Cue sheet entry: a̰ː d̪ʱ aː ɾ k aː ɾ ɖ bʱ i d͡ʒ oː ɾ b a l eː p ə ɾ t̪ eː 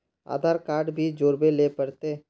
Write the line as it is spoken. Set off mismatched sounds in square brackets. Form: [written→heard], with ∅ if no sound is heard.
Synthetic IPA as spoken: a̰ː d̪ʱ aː ɾ k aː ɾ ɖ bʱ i d͡ʒ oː ɾ b [a→e] l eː p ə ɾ t̪ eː